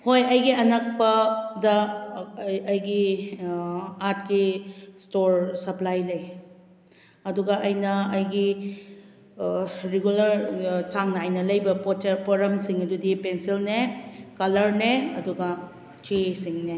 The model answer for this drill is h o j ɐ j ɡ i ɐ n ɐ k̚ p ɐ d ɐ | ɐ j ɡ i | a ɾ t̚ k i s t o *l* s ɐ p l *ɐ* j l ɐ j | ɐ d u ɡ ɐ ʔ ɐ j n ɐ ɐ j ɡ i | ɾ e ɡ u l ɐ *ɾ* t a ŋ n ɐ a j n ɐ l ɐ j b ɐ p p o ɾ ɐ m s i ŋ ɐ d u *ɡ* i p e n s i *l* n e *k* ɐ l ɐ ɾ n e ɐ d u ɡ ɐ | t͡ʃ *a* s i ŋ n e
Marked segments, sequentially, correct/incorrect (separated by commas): incorrect, incorrect, correct, incorrect, correct, correct, incorrect